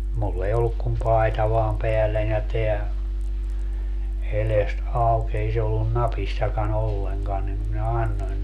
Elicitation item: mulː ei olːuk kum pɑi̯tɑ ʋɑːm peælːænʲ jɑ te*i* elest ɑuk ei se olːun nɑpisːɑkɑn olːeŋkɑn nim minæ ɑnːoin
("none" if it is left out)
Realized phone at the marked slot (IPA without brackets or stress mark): æ